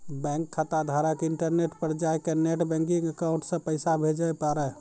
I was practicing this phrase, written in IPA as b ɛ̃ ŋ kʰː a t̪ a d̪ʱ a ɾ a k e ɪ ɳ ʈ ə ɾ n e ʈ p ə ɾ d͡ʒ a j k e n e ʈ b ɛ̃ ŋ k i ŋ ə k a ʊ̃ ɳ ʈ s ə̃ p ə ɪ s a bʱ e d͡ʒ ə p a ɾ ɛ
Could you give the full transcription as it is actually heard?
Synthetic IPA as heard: b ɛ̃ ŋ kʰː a t̪ a d̪ʱ a ɾ a k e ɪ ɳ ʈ ə ɾ n e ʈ p ə ɾ d͡ʒ a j k e n e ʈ b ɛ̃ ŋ k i ŋ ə k a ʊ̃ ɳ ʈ s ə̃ p ə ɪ s a bʱ e d͡ʒ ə p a ɾ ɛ

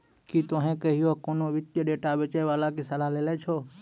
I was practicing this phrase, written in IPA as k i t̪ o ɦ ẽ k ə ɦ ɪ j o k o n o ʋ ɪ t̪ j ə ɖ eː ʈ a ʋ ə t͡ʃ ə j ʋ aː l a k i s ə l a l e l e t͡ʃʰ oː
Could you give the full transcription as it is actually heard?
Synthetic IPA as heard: k i t̪ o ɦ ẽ k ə ɦ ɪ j o k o n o ʋ ɪ t̪ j ə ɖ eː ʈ a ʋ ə t͡ʃ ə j ʋ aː l a k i s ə l a l e l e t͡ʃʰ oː

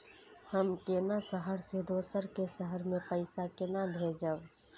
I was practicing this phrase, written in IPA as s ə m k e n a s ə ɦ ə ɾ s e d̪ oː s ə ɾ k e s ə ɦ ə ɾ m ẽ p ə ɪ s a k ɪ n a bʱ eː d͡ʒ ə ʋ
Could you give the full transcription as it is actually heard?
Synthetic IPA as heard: h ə m k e n a s ə ɦ ə ɾ s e d̪ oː s ə ɾ k e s ə ɦ ə ɾ m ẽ p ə ɪ s a k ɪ n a bʱ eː d͡ʒ ə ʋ

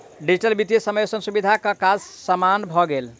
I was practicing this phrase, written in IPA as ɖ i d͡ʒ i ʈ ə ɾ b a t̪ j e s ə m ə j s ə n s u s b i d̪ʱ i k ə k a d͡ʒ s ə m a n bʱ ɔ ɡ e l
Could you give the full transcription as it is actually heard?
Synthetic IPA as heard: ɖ i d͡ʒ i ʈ ə l b i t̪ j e s ə m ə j s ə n s u b i d̪ʱ a k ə k a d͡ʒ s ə m a n bʱ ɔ ɡ e l

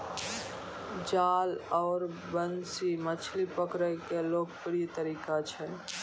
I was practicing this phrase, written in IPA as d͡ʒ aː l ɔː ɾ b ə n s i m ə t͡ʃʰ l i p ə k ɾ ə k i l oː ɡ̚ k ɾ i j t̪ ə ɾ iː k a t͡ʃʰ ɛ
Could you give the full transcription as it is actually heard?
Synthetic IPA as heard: d͡ʒ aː l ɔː ɾ b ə n s i m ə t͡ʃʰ l i p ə k ɾ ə k e l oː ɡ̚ p ɾ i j t̪ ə ɾ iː k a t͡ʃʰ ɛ

